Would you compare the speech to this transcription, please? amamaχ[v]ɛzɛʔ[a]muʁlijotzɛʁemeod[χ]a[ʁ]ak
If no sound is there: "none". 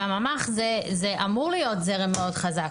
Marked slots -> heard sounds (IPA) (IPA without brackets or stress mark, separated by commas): z, a, χ, z